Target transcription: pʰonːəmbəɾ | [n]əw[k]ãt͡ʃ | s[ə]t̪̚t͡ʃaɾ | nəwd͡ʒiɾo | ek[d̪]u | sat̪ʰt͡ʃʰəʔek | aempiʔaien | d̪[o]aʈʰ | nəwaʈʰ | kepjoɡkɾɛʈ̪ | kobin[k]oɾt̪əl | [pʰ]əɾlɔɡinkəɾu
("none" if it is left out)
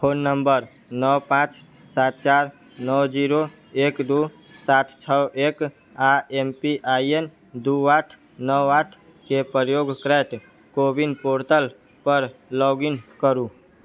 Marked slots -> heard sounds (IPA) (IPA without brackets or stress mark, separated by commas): n, p, a, d̪, u, p, p